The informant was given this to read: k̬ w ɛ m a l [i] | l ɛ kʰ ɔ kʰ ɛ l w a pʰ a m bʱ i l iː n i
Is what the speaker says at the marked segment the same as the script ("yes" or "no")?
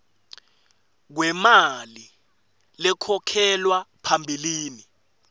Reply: yes